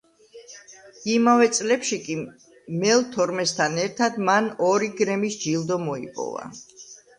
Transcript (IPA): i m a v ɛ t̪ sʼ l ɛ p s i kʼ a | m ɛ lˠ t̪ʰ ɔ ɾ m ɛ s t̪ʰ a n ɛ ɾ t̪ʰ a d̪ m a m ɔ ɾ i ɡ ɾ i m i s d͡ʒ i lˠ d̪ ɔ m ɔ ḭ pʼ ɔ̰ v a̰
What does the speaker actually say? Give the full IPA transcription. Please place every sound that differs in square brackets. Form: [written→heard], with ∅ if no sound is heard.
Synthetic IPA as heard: i m a v ɛ t̪ sʼ l ɛ p [s→ʃ] i kʼ [a→i] | m ɛ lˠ t̪ʰ ɔ ɾ m ɛ s t̪ʰ a n ɛ ɾ t̪ʰ a d̪ m a [m→n] ɔ ɾ i ɡ ɾ [i→ɛ] m i s d͡ʒ i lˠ d̪ ɔ m ɔ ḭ pʼ ɔ̰ v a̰